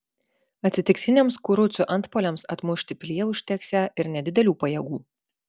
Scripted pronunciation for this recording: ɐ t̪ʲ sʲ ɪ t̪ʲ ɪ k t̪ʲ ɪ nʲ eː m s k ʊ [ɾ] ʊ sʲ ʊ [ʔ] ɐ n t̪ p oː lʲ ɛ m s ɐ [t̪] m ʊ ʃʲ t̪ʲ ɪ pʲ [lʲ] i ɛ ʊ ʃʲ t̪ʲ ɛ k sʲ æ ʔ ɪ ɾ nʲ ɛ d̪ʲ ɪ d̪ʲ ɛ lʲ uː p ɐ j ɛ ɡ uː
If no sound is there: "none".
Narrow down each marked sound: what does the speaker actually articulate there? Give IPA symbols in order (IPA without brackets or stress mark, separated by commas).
ɾ, ʔ, t̪, lʲ